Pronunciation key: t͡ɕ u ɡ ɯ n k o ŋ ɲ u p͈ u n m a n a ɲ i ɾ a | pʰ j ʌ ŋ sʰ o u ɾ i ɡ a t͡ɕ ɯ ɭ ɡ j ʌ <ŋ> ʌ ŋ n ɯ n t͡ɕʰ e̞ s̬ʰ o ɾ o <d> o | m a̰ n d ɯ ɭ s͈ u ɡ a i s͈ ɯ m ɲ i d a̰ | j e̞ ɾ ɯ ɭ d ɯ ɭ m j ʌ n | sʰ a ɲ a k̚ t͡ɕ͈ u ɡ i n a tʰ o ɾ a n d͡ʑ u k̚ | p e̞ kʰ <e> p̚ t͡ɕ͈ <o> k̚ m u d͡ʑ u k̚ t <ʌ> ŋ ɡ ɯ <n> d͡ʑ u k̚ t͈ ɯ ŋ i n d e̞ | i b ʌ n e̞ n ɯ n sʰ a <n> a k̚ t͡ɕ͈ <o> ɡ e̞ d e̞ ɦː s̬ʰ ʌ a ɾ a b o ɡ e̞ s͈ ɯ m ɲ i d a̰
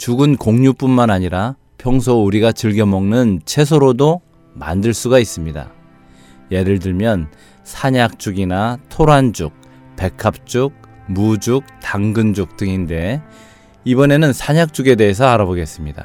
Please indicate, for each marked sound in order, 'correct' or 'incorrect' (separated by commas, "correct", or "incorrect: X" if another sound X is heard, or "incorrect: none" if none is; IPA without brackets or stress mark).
incorrect: m, correct, incorrect: a, incorrect: u, incorrect: a, correct, incorrect: ɲ, incorrect: u